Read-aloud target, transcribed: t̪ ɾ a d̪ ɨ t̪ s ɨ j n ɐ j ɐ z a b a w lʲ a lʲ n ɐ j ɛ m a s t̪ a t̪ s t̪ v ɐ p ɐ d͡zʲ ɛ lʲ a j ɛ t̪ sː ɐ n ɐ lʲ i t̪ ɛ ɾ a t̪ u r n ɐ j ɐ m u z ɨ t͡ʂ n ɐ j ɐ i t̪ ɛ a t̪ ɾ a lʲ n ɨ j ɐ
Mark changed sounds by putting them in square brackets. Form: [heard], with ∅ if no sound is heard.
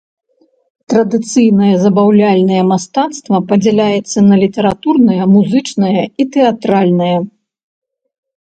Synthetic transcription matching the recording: t̪ ɾ [ɐ] d̪ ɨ t̪ s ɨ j n ɐ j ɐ z [ɐ] b a w lʲ a lʲ n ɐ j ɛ m a s t̪ a t̪ s t̪ v ɐ p ɐ d͡zʲ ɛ lʲ a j ɛ t̪ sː ɐ n ɐ lʲ i t̪ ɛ ɾ a t̪ u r n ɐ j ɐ m u z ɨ t͡ʂ n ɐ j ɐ i t̪ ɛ a t̪ ɾ a lʲ n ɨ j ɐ